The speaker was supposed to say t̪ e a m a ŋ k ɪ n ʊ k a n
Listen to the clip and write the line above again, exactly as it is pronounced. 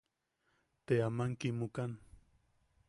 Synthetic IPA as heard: t̪ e a m a ŋ k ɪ m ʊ k a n